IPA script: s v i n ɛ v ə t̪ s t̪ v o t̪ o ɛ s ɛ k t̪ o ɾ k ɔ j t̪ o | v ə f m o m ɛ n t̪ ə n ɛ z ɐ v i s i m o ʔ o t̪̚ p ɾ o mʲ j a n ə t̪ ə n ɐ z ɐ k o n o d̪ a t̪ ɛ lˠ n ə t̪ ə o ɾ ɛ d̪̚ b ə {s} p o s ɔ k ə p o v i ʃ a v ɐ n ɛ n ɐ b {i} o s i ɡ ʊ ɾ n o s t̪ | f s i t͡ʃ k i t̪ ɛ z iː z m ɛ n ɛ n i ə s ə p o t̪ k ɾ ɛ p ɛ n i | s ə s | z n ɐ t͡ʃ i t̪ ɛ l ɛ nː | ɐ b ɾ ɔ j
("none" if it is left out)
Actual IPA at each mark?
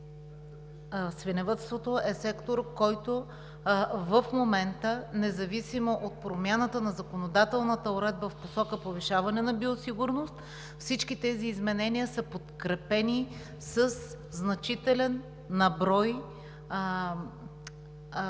f, i

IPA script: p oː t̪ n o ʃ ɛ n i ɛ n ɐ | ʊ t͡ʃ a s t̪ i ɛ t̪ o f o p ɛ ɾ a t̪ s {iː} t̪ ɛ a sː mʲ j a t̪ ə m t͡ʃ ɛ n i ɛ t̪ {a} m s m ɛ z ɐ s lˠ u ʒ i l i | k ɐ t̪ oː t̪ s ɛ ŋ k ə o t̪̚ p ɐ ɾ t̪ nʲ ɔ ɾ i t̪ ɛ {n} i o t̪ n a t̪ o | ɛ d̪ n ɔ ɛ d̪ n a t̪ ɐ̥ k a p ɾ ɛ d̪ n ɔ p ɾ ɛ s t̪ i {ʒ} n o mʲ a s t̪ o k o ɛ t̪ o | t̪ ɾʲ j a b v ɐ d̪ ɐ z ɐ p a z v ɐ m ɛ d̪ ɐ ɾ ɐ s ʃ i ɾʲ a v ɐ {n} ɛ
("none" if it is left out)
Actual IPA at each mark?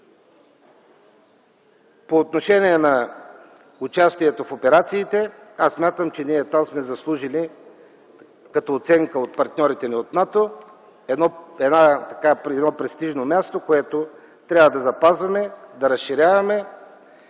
iː, a, n, ʒ, m

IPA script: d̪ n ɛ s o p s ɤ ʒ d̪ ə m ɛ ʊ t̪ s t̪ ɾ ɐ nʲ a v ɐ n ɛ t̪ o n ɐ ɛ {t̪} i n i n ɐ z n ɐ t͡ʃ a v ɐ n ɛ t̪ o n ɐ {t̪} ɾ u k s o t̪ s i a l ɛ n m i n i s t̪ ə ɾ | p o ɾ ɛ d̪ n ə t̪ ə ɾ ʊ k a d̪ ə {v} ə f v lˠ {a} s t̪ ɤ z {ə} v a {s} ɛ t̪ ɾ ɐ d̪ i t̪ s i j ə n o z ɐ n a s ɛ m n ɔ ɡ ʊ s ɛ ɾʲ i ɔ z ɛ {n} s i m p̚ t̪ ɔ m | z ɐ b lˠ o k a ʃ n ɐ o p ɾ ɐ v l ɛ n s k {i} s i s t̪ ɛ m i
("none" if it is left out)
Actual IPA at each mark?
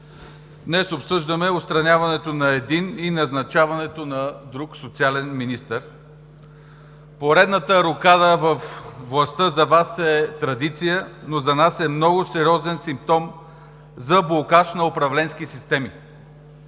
d̪, d̪, v, ɐ, ɐ, s, n, i

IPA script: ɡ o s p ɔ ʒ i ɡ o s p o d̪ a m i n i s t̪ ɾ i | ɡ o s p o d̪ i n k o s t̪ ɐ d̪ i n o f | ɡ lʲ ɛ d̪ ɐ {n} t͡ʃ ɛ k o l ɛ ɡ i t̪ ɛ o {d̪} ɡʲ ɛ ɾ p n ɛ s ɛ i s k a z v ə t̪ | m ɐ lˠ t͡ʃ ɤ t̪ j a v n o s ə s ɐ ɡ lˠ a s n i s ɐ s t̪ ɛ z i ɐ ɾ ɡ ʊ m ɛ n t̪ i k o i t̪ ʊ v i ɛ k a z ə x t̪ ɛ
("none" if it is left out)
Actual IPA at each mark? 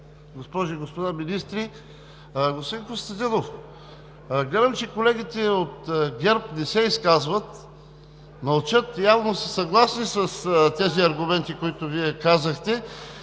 m, t̪

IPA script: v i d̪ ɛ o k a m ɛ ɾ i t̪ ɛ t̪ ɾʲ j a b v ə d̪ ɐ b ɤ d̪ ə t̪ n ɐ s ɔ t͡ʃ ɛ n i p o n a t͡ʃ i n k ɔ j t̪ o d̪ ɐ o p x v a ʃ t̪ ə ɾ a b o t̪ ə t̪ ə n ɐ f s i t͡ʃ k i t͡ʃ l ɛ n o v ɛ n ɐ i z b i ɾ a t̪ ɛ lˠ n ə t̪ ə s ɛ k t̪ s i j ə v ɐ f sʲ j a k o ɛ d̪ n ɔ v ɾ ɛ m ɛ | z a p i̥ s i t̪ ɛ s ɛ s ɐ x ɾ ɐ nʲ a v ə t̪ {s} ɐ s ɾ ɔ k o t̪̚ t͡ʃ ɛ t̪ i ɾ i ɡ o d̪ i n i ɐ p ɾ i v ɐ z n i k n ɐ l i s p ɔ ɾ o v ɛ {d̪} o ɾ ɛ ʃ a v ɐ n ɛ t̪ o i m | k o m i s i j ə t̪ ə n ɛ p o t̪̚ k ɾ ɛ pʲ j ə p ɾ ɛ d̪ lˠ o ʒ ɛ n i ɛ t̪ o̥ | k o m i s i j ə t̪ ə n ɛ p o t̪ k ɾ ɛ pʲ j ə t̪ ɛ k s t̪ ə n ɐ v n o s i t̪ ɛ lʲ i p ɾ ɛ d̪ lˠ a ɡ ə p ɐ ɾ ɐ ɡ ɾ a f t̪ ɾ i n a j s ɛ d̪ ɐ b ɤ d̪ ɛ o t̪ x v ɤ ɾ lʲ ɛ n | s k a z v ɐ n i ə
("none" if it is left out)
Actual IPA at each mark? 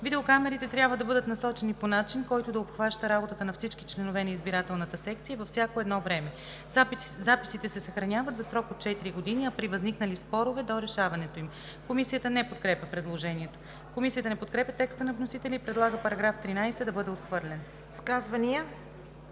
z, d̪

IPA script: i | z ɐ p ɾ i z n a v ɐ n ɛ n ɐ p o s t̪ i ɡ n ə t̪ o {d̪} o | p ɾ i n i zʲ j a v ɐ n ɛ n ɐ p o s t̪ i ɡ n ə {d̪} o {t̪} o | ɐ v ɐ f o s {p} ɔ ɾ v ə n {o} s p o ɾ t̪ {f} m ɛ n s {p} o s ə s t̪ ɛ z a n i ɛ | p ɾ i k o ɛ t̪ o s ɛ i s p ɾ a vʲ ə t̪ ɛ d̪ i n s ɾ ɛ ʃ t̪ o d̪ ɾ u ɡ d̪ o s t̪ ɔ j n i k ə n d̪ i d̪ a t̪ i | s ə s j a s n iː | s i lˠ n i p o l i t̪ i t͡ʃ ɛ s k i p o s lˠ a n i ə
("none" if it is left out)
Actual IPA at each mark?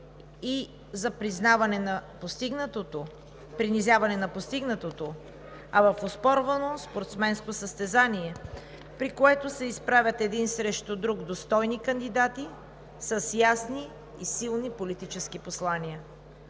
t̪, t̪, t̪, p, o, s, k

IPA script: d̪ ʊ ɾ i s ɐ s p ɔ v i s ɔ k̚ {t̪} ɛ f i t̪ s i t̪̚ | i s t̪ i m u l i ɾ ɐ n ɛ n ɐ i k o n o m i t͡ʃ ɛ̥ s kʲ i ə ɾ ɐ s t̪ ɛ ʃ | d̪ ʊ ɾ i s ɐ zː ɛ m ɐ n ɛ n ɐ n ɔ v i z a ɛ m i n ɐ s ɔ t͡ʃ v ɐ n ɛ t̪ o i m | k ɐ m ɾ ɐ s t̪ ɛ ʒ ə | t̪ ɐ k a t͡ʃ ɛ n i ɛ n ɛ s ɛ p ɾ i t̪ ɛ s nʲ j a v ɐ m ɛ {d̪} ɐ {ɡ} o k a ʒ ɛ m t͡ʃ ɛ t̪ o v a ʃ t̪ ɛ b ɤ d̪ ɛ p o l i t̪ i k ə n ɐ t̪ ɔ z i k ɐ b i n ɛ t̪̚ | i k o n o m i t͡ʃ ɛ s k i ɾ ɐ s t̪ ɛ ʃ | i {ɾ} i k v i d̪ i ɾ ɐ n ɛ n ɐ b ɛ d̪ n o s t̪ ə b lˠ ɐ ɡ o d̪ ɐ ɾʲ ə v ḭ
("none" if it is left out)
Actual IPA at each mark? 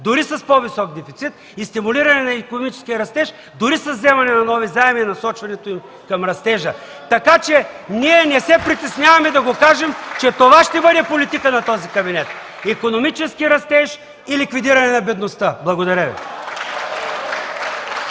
d̪, d̪, ɡ, l

